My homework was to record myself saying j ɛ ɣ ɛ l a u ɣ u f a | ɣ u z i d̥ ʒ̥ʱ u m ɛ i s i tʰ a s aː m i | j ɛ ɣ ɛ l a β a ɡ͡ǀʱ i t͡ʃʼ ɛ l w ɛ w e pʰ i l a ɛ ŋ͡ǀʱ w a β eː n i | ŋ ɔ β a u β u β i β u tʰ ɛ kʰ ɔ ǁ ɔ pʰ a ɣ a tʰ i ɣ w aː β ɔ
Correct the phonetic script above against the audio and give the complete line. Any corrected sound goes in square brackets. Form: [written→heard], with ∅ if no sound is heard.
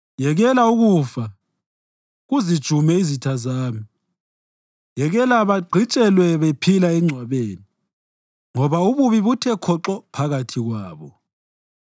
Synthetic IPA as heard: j ɛ ɣ ɛ l a u ɣ u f a | ɣ u z i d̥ ʒ̥ʱ u m ɛ i [s→z] i tʰ a [s→z] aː m i | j ɛ ɣ ɛ l a β a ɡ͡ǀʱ i t͡ʃʼ ɛ l w ɛ [w→β] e pʰ i l a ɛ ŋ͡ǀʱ w a β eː n i | ŋ ɔ β a u β u β i β u tʰ ɛ kʰ ɔ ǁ ɔ pʰ a ɣ a tʰ i ɣ w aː β ɔ